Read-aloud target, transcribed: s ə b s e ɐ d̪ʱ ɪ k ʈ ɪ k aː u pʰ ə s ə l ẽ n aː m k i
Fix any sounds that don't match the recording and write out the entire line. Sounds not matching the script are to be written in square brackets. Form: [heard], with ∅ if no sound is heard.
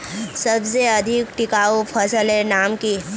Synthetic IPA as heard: s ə b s e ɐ d̪ʱ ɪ k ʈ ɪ k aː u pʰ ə s ə l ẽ n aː m k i